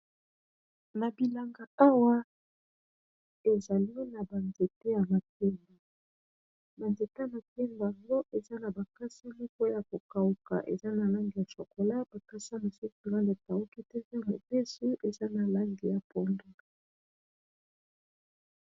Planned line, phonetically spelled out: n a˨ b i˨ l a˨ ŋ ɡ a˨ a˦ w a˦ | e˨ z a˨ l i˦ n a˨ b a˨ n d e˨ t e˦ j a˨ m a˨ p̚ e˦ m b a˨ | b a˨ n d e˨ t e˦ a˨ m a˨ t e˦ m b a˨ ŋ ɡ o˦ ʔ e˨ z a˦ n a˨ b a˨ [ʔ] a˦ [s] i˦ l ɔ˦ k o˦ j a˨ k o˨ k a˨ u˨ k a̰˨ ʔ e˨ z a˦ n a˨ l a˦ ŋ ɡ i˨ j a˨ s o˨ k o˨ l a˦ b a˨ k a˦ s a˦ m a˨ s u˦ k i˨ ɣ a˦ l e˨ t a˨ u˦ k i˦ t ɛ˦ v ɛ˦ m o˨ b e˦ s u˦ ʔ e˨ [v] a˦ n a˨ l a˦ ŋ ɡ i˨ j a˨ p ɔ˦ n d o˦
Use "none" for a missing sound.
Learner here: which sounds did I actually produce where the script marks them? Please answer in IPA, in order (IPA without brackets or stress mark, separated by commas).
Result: k, s, z